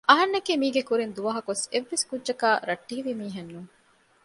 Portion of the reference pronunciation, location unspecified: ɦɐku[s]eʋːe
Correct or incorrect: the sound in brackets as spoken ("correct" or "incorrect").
correct